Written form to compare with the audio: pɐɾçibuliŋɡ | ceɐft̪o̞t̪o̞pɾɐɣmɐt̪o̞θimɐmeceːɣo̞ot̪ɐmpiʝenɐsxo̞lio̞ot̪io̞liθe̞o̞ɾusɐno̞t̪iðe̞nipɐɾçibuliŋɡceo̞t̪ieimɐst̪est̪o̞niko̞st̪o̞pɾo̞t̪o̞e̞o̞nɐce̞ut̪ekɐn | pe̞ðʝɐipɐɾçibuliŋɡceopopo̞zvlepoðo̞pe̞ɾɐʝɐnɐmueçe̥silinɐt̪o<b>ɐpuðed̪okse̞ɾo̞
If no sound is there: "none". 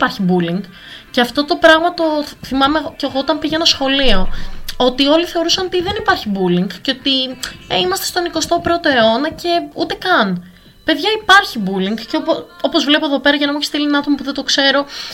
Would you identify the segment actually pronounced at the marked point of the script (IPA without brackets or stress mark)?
m